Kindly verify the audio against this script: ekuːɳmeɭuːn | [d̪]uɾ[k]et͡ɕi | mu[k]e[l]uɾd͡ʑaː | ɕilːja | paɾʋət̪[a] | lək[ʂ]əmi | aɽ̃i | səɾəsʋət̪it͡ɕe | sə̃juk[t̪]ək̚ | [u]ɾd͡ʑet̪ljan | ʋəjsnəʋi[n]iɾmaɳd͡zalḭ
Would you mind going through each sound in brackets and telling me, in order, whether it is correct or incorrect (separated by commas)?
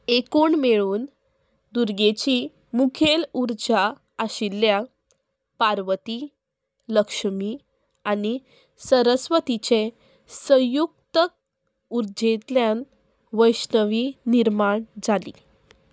correct, incorrect, incorrect, correct, incorrect, correct, correct, correct, correct